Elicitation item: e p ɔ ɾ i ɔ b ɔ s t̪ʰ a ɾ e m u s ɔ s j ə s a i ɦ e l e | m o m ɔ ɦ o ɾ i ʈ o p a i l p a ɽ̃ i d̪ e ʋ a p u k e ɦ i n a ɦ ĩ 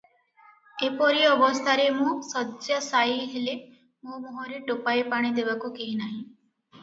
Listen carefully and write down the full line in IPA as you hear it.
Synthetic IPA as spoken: e p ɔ ɾ i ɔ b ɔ s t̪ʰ a ɾ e m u s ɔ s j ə s a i ɦ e l e | m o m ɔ ɦ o ɾ i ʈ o p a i p a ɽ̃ i d̪ e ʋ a k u k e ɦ i n a ɦ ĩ

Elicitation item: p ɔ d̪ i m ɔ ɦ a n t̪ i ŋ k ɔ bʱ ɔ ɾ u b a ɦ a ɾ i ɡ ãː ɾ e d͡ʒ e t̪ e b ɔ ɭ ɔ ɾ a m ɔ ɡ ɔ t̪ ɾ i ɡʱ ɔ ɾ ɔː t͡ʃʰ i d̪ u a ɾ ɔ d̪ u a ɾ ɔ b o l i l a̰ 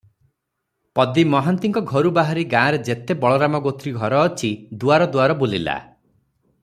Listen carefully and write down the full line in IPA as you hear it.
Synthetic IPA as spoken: p ɔ d̪ i m ɔ ɦ a n t̪ i ŋ k ɔ ɡʱ ɔ ɾ u b a ɦ a ɾ i ɡ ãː ɾ e d͡ʒ e t̪ e b ɔ ɭ ɔ ɾ a m ɔ ɡ o t̪ ɾ i ɡʱ ɔ ɾ ɔː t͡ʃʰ i d̪ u a ɾ ɔ d̪ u a ɾ ɔ b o l i l a̰

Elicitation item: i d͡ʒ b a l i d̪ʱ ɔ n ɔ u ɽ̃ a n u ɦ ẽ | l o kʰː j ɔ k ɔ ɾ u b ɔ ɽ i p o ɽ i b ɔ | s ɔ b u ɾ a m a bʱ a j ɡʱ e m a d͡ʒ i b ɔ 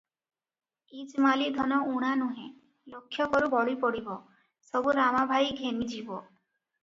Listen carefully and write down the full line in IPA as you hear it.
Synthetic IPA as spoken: i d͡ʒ m a l i d̪ʱ ɔ n ɔ u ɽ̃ a n u ɦ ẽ | l o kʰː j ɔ k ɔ ɾ u b ɔ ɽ i p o ɽ i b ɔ | s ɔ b u ɾ a m a bʱ a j ɡʱ e m i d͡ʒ i b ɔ

